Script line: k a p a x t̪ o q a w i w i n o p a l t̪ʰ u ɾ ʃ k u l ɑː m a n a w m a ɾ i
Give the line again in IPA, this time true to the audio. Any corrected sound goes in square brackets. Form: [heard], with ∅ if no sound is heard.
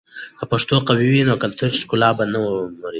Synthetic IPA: k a p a [ʂ] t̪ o q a w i w i n o [k] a l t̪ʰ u ɾ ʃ k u l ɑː [b] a n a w m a ɾ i

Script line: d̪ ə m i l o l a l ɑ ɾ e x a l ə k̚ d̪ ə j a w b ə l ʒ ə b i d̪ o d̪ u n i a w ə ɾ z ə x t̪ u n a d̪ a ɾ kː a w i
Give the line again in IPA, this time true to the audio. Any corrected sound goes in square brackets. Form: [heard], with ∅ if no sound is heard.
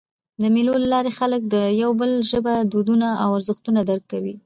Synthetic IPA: d̪ ə m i l o l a l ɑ ɾ e x a l ə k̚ d̪ ə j a w b ə l ʒ ə b [a] d̪ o d̪ u n [a] a w [a] ɾ z ə x t̪ u n a d̪ a ɾ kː a w i

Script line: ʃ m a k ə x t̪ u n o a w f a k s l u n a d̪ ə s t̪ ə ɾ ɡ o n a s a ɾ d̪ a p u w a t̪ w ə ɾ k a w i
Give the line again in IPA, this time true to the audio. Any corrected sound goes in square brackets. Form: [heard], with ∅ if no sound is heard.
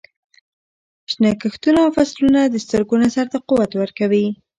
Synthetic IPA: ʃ [n] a k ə x t̪ u n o a w f a [∅] s l u n a d̪ ə s t̪ ə ɾ ɡ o n a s a ɾ [t̪] a [q] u w a t̪ w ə ɾ k a w i

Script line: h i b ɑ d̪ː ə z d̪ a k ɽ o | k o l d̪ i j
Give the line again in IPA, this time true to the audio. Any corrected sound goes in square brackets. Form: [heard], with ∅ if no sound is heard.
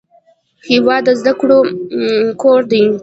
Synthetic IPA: h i [w] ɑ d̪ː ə z d̪ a k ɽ o | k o [ɾ] d̪ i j

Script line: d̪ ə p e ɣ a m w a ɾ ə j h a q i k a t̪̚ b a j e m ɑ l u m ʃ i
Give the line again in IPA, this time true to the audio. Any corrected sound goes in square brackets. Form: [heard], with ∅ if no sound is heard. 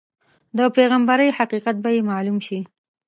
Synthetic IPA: d̪ ə p e ɣ a m [b] a ɾ ə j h a q i [q] a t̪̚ b a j e m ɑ l u m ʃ i

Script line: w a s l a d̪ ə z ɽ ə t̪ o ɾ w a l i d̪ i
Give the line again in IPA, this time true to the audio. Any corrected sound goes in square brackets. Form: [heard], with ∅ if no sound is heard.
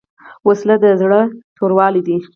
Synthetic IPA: w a s l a d̪ ə z ɽ ə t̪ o ɾ w [ɑ] l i d̪ i

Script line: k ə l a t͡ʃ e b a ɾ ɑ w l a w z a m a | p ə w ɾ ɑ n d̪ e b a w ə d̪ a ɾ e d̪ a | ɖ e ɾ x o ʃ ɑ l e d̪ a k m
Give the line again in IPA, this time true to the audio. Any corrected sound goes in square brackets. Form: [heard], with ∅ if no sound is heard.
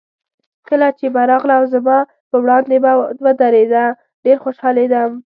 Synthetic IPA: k ə l a t͡ʃ e b a ɾ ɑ [ɣ] l a w z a m [ɑ] | p ə w [ɽ] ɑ n d̪ e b a w ə d̪ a ɾ e d̪ a | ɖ e ɾ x o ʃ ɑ l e d̪ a [∅] m

